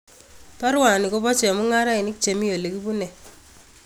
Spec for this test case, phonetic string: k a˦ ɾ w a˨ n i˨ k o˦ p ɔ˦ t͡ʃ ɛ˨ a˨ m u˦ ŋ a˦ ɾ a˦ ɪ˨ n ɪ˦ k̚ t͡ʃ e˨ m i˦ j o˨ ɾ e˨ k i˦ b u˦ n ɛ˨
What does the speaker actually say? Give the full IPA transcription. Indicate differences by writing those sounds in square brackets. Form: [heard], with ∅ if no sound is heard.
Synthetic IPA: [p] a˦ ɾ w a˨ n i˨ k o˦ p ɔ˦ t͡ʃ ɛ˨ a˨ m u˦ ŋ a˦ ɾ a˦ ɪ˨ n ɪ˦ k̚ t͡ʃ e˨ m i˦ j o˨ [l] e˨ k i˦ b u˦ n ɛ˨